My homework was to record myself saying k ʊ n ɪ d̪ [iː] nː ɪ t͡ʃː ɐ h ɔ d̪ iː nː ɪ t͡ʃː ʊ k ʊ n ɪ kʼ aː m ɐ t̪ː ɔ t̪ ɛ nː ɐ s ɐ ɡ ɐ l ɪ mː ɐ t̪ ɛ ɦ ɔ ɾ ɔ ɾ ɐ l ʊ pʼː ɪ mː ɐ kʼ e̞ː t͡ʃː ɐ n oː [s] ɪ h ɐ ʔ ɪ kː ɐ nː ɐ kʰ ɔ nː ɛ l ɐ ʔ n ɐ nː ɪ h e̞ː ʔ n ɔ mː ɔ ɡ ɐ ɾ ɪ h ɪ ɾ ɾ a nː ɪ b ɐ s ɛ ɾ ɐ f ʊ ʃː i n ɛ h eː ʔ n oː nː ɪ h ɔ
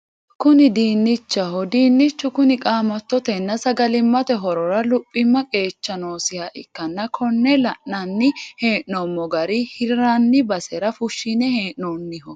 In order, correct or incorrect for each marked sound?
correct, correct

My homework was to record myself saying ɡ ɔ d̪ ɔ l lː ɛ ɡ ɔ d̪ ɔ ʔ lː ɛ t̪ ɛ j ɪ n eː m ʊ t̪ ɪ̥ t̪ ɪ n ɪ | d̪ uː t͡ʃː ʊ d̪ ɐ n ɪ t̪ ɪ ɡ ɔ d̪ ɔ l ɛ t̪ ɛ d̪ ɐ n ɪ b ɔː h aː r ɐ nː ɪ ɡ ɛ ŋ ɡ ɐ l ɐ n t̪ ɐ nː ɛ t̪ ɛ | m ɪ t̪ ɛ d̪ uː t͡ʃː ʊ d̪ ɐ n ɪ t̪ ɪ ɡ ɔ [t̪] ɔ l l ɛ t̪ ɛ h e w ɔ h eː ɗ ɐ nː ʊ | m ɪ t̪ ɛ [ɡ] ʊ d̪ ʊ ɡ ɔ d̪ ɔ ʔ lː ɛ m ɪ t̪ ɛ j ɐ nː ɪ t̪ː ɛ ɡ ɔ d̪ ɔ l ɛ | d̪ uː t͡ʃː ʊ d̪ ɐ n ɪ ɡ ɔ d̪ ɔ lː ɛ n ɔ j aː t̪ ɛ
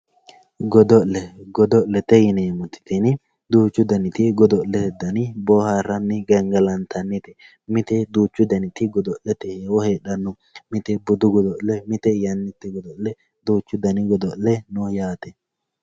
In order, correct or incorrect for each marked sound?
incorrect: d̪, incorrect: b

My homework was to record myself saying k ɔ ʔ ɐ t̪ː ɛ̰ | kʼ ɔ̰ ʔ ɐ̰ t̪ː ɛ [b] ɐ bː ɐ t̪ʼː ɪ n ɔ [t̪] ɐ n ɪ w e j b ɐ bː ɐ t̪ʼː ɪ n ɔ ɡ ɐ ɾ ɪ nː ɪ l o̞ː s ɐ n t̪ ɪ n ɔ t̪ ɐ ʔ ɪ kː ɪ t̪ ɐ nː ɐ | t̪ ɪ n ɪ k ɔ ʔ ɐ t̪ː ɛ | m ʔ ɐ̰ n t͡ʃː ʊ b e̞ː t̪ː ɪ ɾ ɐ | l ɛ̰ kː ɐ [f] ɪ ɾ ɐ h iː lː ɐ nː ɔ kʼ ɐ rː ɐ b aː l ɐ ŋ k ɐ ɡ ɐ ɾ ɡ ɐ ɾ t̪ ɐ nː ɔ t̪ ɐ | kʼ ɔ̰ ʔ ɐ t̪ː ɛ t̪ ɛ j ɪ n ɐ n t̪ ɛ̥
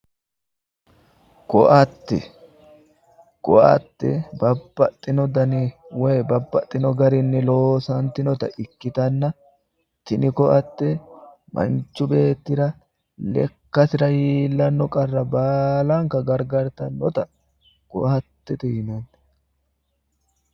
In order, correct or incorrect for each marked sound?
correct, incorrect: d̪, incorrect: s

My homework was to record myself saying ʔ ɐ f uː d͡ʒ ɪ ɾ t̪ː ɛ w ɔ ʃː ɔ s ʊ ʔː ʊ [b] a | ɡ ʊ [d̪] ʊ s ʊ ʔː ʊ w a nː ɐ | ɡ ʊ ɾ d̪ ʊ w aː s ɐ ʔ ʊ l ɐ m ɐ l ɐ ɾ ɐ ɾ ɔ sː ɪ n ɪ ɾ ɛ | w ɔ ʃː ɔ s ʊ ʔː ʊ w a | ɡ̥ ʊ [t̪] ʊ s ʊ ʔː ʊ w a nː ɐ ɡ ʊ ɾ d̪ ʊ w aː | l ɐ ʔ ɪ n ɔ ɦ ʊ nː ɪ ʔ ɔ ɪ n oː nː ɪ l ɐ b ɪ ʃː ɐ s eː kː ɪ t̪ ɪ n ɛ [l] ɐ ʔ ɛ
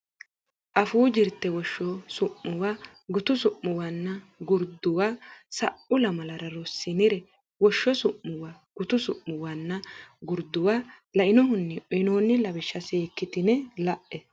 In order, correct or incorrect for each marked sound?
incorrect: w, incorrect: t̪, correct, correct

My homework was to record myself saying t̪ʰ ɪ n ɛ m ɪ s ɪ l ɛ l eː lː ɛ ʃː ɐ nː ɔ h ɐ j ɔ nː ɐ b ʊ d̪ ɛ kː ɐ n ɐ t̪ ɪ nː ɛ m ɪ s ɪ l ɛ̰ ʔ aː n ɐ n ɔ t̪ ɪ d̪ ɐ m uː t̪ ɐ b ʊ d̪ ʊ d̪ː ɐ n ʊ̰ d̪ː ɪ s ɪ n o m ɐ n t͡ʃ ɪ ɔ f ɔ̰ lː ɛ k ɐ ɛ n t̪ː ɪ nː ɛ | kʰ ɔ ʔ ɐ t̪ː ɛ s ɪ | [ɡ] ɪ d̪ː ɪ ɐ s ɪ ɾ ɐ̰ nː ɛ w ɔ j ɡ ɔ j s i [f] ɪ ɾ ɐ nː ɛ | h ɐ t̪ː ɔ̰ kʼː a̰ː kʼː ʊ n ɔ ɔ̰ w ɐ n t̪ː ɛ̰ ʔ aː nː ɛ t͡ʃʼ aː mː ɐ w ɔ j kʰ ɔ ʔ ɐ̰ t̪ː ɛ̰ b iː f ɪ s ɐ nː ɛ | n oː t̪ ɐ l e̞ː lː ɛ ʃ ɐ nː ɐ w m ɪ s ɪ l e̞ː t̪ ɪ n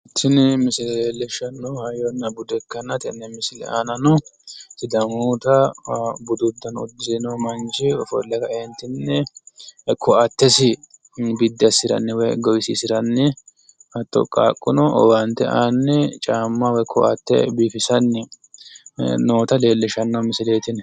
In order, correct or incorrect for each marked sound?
incorrect: b, incorrect: s

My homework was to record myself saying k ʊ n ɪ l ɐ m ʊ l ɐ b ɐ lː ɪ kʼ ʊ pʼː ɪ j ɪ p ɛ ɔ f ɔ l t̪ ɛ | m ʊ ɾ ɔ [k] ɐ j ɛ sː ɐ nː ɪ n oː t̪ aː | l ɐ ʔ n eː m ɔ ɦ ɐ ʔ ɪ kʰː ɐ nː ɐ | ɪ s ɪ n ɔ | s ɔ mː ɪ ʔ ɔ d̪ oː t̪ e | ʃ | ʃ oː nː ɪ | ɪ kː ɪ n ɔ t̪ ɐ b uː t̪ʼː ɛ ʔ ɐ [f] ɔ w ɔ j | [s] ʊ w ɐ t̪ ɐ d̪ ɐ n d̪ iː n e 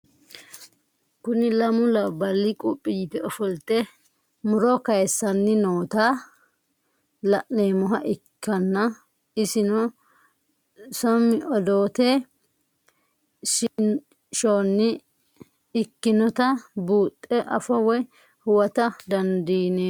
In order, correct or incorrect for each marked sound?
correct, correct, incorrect: h

